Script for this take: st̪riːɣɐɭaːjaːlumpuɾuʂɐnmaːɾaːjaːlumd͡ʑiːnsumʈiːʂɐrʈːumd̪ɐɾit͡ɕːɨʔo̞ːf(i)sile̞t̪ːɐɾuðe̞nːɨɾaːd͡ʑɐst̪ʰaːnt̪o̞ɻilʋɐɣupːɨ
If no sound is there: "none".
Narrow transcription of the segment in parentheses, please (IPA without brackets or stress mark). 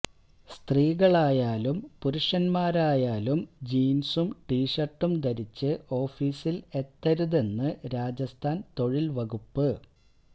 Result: iː